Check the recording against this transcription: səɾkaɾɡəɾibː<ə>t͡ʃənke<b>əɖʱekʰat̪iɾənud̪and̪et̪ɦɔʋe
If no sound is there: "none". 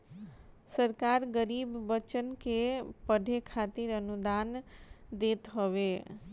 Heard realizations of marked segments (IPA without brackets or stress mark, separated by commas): ə, p